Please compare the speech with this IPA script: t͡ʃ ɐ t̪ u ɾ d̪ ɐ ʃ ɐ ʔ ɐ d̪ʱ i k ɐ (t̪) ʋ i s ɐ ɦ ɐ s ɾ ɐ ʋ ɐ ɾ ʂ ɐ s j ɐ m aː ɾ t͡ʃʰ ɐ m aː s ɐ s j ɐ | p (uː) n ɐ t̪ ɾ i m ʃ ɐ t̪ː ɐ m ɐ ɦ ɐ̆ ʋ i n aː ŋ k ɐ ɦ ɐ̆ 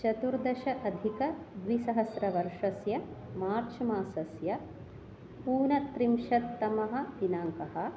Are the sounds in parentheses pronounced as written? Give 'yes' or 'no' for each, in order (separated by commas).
no, yes